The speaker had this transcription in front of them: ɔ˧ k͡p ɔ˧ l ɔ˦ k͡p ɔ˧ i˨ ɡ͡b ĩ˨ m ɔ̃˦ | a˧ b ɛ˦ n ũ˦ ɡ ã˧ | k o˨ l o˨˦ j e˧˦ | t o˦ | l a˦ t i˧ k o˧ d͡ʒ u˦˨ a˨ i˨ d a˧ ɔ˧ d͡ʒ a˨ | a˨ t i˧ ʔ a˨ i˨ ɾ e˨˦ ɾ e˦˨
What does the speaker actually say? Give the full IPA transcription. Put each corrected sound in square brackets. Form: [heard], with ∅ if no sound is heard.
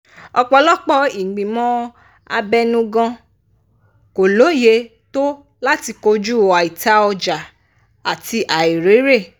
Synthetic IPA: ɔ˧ k͡p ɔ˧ l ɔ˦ k͡p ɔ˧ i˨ ɡ͡b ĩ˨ m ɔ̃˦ | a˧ b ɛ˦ n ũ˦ ɡ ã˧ | k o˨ l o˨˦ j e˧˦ | t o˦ | l a˦ t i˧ k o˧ d͡ʒ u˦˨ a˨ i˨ [t] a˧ ɔ˧ d͡ʒ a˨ | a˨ t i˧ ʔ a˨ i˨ ɾ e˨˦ ɾ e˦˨